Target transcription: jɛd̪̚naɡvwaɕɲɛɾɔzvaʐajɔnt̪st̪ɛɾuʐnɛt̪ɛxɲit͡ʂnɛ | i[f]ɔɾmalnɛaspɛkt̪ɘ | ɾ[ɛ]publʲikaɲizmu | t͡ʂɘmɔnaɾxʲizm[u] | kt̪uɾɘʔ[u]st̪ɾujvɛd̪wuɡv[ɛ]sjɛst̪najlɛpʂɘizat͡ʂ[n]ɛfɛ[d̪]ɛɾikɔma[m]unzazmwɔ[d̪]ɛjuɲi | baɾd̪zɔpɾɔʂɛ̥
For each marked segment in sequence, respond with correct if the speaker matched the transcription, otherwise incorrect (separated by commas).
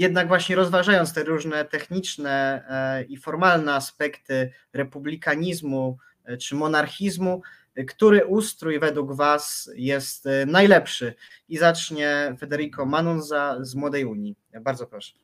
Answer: correct, correct, correct, correct, incorrect, incorrect, correct, incorrect, correct